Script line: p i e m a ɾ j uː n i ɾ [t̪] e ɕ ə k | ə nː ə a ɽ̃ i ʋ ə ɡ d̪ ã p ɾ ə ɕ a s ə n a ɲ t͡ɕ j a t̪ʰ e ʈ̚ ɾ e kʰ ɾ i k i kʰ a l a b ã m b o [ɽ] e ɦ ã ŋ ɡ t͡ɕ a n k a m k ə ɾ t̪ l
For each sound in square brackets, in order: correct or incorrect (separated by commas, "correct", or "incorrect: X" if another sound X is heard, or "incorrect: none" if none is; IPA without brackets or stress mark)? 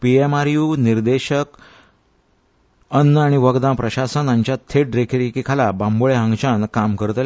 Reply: incorrect: d̪, incorrect: ɭ